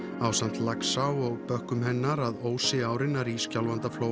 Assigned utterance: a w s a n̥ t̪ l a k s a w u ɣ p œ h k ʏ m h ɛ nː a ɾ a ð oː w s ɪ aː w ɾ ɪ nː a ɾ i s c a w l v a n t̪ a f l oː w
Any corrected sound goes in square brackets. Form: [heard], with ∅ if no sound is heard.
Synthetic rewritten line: a w s a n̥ t̪ l a k s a w [ɔ] ɣ p œ h k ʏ m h ɛ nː a ɾ a ð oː w s ɪ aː w ɾ ɪ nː a ɾ i s c a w l v a n t̪ a f l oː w